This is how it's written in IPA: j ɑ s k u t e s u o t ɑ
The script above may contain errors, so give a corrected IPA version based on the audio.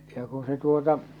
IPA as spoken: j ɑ k u s e t u o t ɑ